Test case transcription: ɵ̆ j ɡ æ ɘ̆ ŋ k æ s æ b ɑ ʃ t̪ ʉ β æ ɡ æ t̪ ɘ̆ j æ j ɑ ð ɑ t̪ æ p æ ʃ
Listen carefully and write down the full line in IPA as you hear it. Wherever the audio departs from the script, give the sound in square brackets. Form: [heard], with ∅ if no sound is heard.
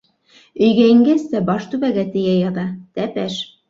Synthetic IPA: ɵ̆ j ɡ æ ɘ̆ ŋ [ɡ] æ s æ b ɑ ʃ t̪ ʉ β æ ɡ æ t̪ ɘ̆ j æ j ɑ ð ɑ t̪ æ p æ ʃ